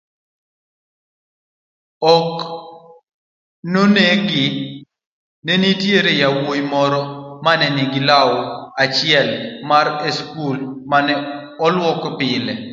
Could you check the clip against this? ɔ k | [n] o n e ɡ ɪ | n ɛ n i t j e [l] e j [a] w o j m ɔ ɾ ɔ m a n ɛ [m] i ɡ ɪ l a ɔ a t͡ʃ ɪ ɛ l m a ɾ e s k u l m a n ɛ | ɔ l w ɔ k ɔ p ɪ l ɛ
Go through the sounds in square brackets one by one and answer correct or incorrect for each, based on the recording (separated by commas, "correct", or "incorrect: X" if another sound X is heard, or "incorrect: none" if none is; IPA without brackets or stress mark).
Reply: correct, incorrect: ɾ, correct, incorrect: n